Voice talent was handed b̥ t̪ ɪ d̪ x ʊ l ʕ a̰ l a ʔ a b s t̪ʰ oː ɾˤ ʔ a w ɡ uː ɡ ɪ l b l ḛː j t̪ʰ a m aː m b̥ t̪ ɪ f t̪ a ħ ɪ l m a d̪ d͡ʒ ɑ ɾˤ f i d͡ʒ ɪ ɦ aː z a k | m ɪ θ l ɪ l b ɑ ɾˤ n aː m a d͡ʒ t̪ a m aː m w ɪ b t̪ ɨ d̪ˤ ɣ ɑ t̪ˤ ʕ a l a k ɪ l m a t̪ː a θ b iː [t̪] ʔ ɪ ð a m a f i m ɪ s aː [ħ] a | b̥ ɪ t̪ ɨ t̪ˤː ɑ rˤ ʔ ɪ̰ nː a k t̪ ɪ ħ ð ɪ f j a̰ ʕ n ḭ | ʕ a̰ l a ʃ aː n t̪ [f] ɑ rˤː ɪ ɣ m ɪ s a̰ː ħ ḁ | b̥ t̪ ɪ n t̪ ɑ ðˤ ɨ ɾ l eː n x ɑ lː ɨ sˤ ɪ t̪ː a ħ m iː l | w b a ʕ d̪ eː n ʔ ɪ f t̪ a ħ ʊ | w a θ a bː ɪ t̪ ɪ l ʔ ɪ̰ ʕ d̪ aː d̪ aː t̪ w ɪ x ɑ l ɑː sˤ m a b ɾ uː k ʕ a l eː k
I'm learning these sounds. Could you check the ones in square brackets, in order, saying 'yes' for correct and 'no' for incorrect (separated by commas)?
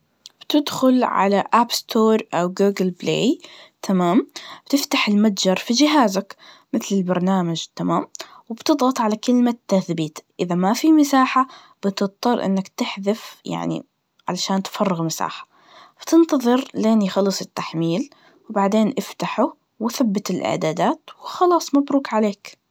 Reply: yes, yes, yes